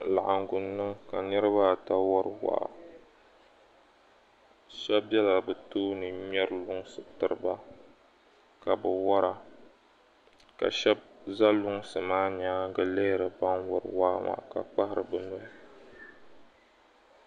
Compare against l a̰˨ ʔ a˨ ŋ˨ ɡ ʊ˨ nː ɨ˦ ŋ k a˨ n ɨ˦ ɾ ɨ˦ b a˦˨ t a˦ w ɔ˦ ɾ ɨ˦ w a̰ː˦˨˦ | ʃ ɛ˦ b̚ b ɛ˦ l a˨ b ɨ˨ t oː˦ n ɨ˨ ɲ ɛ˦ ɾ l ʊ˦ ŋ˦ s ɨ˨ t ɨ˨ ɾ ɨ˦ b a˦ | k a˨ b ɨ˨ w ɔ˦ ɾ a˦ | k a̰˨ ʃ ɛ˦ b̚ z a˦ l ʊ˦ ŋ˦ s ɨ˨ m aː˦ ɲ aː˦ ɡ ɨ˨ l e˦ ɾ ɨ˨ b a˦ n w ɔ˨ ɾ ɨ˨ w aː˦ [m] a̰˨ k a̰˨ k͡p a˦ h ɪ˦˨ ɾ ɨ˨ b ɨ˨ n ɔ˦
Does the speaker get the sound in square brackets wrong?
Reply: no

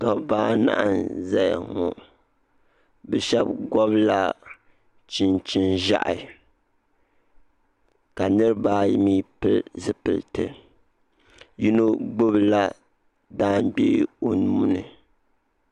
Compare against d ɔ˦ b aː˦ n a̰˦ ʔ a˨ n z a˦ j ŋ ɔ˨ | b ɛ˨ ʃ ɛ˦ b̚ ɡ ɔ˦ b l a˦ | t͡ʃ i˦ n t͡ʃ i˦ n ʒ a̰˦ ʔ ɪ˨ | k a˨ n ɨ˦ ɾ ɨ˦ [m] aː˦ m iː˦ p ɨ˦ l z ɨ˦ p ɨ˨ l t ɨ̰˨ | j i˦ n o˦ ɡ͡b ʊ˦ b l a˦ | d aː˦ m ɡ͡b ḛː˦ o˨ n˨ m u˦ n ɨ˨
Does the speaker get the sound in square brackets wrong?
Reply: yes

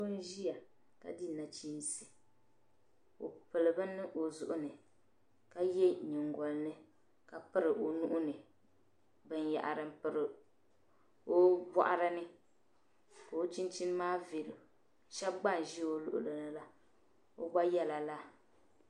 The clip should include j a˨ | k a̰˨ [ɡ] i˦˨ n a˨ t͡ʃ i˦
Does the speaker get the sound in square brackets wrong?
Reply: yes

